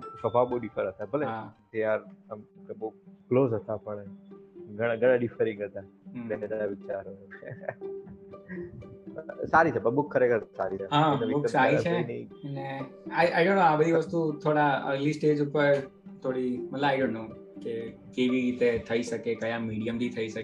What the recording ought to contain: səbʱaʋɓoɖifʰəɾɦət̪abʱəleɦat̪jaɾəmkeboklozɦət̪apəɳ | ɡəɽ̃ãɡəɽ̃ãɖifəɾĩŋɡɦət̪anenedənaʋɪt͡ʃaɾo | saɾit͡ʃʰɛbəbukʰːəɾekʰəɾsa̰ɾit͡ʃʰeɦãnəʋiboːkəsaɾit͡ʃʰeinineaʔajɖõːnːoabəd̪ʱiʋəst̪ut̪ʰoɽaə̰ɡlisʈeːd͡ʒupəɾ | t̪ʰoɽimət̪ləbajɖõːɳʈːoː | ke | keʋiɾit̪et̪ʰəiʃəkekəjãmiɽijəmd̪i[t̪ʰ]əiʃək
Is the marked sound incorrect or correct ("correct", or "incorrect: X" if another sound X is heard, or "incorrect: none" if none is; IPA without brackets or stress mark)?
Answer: correct